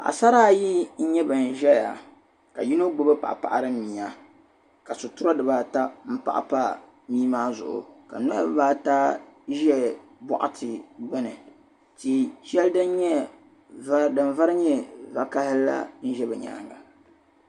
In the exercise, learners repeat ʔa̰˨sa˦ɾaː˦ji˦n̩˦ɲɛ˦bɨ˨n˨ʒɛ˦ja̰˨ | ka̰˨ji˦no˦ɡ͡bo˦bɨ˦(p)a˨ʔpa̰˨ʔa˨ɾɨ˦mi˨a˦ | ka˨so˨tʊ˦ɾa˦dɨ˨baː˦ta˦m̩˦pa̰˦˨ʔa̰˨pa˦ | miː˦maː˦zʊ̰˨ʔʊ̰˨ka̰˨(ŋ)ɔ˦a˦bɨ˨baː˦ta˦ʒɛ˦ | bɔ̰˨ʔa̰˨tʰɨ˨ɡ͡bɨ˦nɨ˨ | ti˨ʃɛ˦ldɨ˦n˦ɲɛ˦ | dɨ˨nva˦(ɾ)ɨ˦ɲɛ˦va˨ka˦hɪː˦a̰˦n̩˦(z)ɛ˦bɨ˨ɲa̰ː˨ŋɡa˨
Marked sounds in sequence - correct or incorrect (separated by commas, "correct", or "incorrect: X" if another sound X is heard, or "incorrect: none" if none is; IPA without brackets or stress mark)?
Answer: correct, incorrect: n, correct, incorrect: ʒ